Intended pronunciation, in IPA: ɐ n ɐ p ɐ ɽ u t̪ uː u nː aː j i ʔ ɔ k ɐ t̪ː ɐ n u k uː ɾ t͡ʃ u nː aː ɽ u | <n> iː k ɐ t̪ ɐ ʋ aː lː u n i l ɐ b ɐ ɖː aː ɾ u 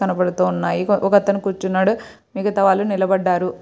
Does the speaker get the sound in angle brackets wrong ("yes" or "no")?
yes